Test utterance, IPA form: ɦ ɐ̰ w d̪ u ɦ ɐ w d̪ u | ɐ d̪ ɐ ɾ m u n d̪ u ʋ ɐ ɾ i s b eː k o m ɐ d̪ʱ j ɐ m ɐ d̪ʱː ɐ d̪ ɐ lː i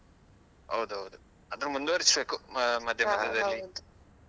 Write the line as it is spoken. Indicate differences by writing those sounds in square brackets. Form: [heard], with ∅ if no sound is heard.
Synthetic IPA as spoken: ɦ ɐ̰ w d̪ u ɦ ɐ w d̪ u | ɐ d̪ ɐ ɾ m u n d̪ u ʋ ɐ ɾ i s b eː k [u] m ɐ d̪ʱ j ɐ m ɐ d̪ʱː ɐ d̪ ɐ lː i